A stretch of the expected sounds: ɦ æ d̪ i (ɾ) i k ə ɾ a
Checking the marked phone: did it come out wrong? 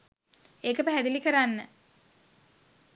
yes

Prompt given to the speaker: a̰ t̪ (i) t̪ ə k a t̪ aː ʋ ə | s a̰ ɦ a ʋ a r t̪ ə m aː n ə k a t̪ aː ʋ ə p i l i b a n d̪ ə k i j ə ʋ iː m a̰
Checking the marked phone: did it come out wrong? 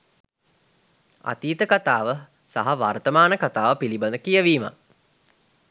yes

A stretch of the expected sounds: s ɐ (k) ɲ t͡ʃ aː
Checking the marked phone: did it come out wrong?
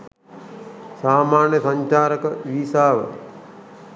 yes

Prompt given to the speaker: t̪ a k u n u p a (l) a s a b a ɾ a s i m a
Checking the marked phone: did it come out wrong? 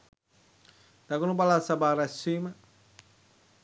no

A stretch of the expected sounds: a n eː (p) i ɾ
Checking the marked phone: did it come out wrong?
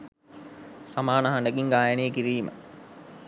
yes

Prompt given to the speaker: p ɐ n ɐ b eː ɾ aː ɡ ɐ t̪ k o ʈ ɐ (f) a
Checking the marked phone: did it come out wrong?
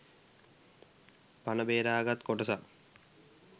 yes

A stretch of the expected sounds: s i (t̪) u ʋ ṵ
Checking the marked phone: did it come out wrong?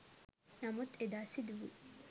yes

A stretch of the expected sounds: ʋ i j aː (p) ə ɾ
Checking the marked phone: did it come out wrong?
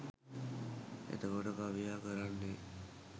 yes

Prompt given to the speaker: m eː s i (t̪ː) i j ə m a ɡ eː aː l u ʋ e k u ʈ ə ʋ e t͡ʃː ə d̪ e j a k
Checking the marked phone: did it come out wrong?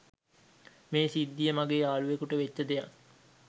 yes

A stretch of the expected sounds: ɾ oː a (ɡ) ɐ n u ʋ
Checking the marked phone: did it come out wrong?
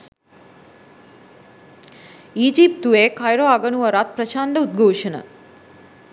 no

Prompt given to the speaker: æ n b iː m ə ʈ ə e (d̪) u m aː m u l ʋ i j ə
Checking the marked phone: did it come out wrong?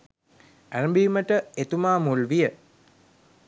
yes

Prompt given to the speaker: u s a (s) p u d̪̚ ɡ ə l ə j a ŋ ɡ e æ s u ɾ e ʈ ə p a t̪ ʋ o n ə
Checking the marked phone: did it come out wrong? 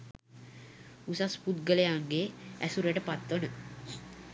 no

